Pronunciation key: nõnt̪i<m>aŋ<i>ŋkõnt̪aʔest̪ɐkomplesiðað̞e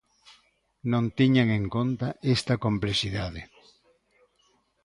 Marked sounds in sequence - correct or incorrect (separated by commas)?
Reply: incorrect, incorrect